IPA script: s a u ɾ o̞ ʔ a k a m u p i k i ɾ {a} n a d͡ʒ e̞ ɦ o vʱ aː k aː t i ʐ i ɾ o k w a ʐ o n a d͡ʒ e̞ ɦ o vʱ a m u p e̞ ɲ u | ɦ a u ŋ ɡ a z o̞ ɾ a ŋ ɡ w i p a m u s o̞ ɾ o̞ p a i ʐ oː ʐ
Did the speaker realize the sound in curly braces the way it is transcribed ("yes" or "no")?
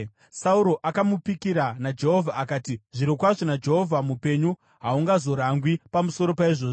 yes